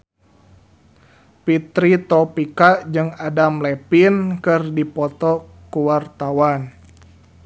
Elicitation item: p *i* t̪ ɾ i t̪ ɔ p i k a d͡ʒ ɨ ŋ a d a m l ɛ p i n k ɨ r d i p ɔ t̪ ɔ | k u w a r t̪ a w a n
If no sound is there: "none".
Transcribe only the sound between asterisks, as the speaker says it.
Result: i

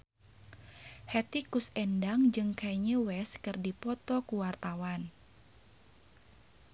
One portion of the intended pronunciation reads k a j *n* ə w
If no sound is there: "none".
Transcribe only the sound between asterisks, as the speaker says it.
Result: ɲ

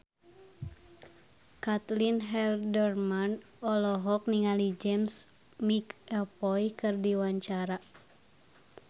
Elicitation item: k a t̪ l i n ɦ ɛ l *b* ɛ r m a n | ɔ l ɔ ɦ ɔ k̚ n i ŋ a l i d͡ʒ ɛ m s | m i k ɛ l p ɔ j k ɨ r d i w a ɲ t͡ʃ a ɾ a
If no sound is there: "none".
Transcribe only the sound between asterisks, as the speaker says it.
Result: d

